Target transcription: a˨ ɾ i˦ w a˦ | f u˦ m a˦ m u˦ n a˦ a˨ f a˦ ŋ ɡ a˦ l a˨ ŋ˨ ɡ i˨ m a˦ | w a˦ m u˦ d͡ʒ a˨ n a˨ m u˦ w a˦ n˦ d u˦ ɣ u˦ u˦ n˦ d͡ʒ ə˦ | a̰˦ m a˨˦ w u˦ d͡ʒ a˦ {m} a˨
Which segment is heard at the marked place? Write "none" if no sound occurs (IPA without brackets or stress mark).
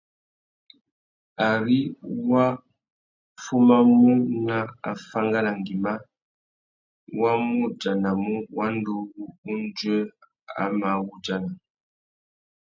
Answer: n